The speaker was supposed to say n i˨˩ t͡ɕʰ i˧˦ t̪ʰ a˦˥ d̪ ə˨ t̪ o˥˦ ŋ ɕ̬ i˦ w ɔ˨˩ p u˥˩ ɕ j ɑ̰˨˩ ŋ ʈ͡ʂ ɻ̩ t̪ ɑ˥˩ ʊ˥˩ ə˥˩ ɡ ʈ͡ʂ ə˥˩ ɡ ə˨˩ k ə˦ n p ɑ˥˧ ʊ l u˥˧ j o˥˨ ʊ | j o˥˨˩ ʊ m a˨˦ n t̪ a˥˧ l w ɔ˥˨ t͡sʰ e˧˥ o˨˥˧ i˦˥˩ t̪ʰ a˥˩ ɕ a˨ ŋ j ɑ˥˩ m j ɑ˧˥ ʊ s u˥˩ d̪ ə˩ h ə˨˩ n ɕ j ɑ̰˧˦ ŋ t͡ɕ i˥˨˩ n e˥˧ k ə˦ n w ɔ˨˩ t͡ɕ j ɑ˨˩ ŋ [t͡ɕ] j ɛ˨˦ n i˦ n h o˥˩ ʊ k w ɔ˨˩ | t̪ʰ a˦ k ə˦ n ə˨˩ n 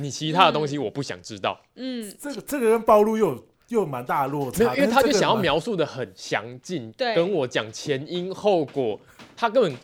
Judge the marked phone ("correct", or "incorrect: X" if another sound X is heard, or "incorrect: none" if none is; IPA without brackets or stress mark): incorrect: t͡ɕʰ